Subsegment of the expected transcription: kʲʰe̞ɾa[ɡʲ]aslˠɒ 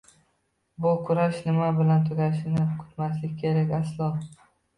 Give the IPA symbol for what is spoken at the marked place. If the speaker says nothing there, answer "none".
kʲ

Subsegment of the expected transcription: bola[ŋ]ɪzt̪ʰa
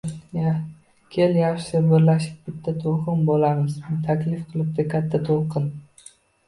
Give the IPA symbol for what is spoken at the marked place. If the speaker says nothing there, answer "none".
m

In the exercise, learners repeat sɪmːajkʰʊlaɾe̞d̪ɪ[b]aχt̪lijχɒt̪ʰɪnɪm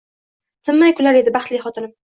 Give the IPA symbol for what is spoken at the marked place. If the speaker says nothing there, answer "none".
b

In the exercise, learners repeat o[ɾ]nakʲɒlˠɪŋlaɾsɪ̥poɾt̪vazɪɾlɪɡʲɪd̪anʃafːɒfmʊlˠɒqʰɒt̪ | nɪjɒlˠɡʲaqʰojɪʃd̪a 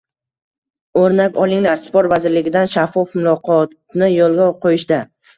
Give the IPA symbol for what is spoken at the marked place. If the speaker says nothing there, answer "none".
ɾ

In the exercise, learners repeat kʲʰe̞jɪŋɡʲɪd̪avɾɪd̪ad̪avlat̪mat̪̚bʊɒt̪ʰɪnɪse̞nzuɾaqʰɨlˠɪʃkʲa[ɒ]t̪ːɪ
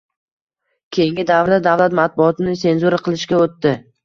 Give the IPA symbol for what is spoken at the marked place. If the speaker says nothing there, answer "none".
o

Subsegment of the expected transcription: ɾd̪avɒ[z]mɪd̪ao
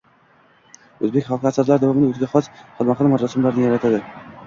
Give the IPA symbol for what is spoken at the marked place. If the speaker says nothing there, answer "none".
none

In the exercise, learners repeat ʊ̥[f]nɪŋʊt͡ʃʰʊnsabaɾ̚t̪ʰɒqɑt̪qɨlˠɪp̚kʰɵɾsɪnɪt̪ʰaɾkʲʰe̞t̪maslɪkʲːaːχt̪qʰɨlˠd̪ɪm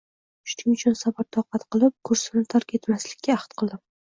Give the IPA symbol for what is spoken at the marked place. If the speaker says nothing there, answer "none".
ʃ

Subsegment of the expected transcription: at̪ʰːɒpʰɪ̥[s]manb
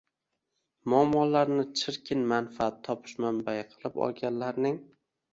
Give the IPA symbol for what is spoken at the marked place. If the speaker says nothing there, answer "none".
ʃ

